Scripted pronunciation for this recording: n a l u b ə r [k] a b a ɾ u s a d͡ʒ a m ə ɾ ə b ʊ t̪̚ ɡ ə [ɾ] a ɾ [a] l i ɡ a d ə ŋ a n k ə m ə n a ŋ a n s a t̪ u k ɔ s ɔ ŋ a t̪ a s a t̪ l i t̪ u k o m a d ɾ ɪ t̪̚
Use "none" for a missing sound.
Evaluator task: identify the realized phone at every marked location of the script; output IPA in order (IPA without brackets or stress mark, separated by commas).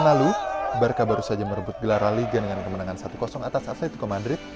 k, l, a